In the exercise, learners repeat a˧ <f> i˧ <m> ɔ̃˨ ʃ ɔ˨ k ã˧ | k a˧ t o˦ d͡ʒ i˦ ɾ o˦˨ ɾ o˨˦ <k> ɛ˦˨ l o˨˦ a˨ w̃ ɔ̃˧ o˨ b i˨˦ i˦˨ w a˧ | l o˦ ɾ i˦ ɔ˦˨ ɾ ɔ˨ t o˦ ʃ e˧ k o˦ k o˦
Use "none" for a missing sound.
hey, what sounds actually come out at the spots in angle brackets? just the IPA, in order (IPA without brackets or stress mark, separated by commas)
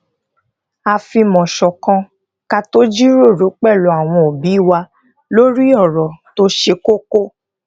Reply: f, m, k͡p